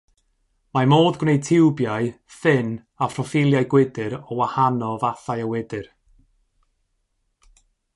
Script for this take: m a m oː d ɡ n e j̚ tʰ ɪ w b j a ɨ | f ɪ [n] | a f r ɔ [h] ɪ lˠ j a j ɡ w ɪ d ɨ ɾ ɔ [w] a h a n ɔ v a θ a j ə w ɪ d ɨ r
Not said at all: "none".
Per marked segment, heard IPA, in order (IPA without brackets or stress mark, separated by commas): n, f, w